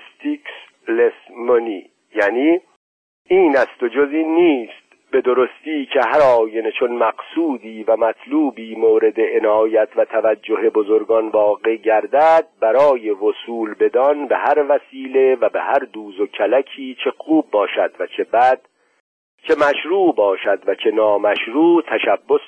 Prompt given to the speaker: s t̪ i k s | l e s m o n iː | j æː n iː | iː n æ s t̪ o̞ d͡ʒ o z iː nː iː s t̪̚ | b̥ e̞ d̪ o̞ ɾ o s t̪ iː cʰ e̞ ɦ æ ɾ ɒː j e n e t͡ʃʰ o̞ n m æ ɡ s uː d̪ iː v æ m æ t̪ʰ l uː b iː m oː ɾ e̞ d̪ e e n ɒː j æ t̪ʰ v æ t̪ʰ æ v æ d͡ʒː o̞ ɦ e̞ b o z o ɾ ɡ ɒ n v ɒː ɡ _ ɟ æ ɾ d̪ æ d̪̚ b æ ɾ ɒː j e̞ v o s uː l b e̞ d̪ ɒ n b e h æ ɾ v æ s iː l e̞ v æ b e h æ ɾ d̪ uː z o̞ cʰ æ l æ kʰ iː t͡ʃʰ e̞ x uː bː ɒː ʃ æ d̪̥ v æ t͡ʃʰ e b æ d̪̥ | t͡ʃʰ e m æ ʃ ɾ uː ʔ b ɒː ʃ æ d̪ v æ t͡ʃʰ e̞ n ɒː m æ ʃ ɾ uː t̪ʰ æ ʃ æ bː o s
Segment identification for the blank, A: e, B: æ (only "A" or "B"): A